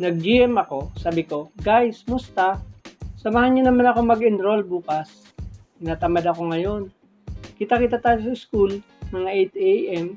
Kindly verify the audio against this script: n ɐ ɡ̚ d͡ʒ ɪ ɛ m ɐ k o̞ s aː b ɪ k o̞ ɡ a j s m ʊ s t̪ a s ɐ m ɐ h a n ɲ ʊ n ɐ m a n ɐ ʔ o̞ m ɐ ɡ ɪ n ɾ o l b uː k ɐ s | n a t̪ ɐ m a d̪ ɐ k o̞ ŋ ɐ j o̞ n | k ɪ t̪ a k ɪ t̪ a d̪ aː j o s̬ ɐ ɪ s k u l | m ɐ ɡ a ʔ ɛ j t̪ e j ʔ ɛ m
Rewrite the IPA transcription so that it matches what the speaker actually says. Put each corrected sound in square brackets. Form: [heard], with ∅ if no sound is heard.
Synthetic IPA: n ɐ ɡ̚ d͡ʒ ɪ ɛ m ɐ k o̞ s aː b ɪ k o̞ ɡ a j s m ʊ s t̪ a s ɐ m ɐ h a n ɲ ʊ n ɐ m a n ɐ [k] o̞ m ɐ ɡ ɪ n ɾ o l b uː k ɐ s | n a t̪ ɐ m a d̪ ɐ k o̞ ŋ ɐ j o̞ n | k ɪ t̪ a k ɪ t̪ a [t̪] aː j o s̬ ɐ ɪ s k u l | m ɐ [ŋ] a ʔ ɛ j t̪ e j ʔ ɛ m